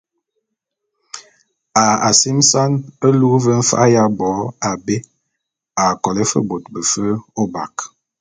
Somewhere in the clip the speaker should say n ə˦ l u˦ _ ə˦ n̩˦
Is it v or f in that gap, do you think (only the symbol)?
v